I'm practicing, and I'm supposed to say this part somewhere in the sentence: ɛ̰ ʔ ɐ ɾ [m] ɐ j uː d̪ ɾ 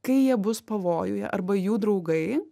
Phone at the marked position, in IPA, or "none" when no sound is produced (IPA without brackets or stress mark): b